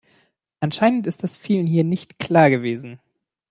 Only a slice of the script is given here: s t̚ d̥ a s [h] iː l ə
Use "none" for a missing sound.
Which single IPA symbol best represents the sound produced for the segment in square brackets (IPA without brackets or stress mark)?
f